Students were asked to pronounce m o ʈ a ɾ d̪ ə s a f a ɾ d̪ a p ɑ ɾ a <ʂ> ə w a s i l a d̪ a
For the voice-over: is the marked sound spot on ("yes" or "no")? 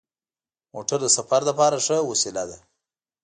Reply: yes